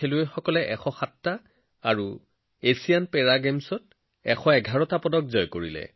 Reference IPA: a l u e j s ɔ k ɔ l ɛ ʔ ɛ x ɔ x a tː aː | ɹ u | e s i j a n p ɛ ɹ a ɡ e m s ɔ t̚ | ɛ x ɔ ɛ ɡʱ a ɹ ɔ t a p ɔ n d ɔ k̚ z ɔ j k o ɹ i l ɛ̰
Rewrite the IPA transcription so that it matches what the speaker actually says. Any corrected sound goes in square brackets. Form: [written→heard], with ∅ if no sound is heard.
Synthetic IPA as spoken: [a→e] l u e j [s→x] ɔ k ɔ l ɛ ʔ ɛ x ɔ x a tː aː | ɹ u | e s i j a n p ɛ ɹ a ɡ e m s ɔ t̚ | ɛ x ɔ ɛ ɡʱ a ɹ ɔ t a p ɔ [n→∅] d ɔ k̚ z ɔ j k o ɹ i l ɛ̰